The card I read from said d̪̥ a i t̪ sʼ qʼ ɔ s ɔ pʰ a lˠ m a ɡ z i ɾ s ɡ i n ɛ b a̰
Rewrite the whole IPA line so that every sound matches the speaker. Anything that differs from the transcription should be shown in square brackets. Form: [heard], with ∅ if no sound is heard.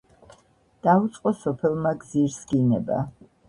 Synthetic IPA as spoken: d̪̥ a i t̪ sʼ qʼ ɔ s ɔ pʰ [ɛ] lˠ m a ɡ z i ɾ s ɡ i n ɛ b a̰

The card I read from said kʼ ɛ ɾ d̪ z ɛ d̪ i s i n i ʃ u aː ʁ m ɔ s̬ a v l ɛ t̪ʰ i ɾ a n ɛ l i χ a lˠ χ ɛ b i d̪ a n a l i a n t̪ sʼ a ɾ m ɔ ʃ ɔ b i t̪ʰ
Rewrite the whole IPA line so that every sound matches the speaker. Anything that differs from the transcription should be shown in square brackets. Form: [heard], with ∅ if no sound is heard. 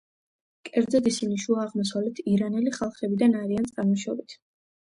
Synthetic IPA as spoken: kʼ ɛ ɾ d̪ z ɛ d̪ i s i n i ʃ u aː ʁ m ɔ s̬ a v l ɛ t̪ʰ i ɾ a n ɛ l i χ a lˠ χ ɛ b i d̪ a n a [ɾ] i a n t̪ sʼ a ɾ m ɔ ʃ ɔ b i t̪ʰ

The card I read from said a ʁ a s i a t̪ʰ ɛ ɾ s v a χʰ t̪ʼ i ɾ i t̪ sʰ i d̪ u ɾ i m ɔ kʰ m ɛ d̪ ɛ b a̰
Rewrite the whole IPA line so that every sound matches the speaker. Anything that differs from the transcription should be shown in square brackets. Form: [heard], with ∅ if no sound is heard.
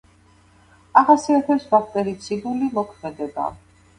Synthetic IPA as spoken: a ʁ a s i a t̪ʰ ɛ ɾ s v a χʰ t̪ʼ [ɛ] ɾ i t̪ sʰ i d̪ u [l] i m ɔ kʰ m ɛ d̪ ɛ b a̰

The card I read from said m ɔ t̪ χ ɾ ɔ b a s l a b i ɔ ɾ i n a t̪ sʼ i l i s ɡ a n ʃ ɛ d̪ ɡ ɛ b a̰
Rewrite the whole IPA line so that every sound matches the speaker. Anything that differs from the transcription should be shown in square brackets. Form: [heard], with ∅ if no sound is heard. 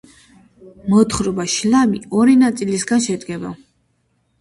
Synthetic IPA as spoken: m ɔ t̪ χ ɾ ɔ b a [ʃ] l a [m] i ɔ ɾ i n a t̪ sʼ i l i s ɡ a n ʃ ɛ d̪ ɡ ɛ b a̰

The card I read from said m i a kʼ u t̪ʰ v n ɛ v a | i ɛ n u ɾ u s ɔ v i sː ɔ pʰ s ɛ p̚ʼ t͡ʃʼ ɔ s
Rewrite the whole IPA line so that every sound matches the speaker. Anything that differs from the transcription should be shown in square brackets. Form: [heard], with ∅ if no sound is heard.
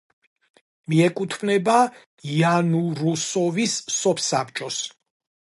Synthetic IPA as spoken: m i [ɛ] kʼ u t̪ʰ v n ɛ [b] a | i [a] n u ɾ u s ɔ v i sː ɔ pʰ s [a] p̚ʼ t͡ʃʼ ɔ s

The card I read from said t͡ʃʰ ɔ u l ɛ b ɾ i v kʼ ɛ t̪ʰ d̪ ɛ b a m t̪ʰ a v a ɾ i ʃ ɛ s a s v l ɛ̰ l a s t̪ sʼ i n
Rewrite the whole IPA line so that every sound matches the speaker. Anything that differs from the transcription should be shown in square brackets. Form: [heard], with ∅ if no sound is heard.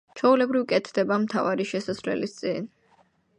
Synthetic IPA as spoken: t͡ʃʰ ɔ u l ɛ b ɾ i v kʼ ɛ t̪ʰ d̪ ɛ b a m t̪ʰ a v a ɾ i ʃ ɛ s a s v l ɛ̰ l [i] s t̪ sʼ i n

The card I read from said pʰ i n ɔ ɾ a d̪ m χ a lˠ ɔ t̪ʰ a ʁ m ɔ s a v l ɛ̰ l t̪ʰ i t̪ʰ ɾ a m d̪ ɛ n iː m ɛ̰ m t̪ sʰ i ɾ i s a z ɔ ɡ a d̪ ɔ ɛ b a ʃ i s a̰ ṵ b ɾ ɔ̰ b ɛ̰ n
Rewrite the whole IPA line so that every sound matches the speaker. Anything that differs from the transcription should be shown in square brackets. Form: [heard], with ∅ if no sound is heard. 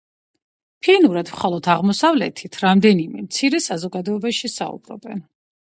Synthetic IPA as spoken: pʰ i n [u] ɾ a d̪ m χ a lˠ ɔ t̪ʰ a ʁ m ɔ s a v l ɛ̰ [∅] t̪ʰ i t̪ʰ ɾ a m d̪ ɛ n [i] m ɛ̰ m t̪ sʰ i ɾ [ɛ] s a z ɔ ɡ a d̪ ɔ ɛ b a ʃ i s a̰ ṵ b ɾ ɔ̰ b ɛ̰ n

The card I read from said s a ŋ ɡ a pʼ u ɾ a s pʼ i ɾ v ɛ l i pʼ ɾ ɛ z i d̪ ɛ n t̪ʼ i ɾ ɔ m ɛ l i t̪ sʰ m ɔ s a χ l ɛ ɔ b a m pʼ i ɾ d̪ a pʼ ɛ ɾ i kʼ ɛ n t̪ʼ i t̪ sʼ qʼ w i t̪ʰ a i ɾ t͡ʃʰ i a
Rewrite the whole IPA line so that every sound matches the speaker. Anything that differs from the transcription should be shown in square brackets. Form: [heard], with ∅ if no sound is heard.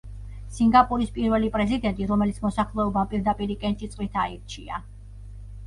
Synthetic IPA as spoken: s [i] ŋ ɡ a pʼ u ɾ [i] s pʼ i ɾ v ɛ l i pʼ ɾ ɛ z i d̪ ɛ n t̪ʼ i ɾ ɔ m ɛ l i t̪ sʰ m ɔ s a χ l ɛ ɔ b a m pʼ i ɾ d̪ a pʼ [i] ɾ i kʼ ɛ n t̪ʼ i t̪ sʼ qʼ w i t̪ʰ a i ɾ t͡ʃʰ i a

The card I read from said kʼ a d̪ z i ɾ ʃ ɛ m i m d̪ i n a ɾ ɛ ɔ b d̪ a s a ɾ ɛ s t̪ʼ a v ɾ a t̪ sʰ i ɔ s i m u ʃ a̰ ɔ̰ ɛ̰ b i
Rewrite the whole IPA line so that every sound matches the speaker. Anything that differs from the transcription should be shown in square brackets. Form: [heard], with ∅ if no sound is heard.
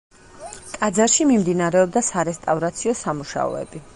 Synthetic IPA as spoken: kʼ a d̪ z [a] ɾ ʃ [i] m i m d̪ i n a ɾ ɛ ɔ b d̪ a s a ɾ ɛ s t̪ʼ a v ɾ a t̪ sʰ i ɔ s [a] m u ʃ a̰ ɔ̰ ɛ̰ b i

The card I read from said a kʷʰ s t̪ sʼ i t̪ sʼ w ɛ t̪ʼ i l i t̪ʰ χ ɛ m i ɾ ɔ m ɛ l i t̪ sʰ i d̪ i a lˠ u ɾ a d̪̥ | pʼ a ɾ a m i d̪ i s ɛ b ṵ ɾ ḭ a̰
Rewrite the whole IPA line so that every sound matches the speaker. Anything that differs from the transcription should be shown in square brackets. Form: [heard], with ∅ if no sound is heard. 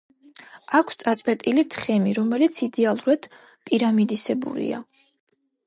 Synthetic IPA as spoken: a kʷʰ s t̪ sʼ [a] t̪ sʼ w ɛ t̪ʼ i l i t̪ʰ χ ɛ m i ɾ ɔ m ɛ l i t̪ sʰ i d̪ [ɛ] a lˠ u ɾ a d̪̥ | pʼ [i] ɾ a m i d̪ i s ɛ b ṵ ɾ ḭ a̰

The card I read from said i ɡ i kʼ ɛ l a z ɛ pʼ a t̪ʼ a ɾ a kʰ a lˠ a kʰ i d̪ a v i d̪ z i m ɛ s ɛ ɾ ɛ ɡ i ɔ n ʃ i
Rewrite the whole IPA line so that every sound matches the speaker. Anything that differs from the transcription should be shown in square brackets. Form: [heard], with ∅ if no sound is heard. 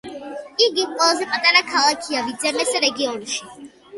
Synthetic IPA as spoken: i ɡ i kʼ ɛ l a z ɛ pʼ a t̪ʼ a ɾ a kʰ a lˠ a kʰ i [∅] a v i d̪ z [ɛ] m ɛ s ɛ ɾ ɛ ɡ i ɔ n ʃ i

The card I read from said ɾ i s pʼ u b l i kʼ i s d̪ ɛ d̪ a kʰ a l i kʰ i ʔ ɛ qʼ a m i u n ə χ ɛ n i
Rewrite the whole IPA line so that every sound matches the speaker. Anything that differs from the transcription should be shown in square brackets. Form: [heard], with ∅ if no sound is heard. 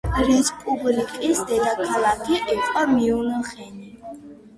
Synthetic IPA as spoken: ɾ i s pʼ u b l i kʼ i s d̪ ɛ d̪ a kʰ a l [a] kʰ i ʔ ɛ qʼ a m i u n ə χ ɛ n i

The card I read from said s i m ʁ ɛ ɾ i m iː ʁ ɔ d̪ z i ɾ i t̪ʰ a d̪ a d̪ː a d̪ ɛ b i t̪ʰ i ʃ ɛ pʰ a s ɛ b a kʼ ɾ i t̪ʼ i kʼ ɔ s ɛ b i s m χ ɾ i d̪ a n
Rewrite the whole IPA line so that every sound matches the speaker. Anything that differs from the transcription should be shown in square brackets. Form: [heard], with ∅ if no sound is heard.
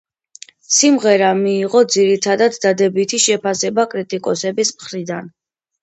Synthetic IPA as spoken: s i m ʁ ɛ ɾ [a] m iː ʁ ɔ d̪ z i ɾ i t̪ʰ a d̪ a d̪ː a d̪ ɛ b i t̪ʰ i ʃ ɛ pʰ a s ɛ b a kʼ ɾ i t̪ʼ i kʼ ɔ s ɛ b i s m χ ɾ i d̪ a n

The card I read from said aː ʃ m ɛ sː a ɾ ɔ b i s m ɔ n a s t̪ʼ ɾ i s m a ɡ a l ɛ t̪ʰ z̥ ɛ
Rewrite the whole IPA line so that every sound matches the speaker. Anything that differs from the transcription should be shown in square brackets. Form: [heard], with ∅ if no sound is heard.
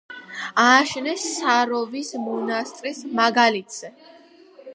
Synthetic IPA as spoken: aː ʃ [n] ɛ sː a ɾ ɔ [v] i s m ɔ n a s t̪ʼ ɾ i s m a ɡ a l [i] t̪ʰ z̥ ɛ

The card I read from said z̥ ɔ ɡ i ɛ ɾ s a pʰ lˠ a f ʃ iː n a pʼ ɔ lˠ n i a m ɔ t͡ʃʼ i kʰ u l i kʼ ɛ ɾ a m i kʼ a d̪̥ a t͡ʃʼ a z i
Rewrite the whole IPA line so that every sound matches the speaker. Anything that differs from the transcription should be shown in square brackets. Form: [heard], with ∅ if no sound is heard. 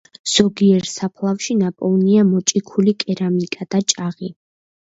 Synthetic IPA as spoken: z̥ ɔ ɡ i ɛ ɾ s a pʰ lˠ a f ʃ [i] n a pʼ ɔ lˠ n i a m ɔ t͡ʃʼ i kʰ u l i kʼ ɛ ɾ a m i kʼ a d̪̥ a t͡ʃʼ a [ʁ] i

